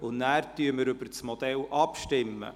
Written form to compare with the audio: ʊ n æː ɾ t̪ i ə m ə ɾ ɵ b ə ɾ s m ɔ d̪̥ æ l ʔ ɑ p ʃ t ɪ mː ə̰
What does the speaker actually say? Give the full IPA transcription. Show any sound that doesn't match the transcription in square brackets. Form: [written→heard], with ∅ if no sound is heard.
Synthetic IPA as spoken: ʊ n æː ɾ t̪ [i→y] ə m ə ɾ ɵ b ə ɾ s m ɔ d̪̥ [æ→ɛ] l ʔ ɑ p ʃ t ɪ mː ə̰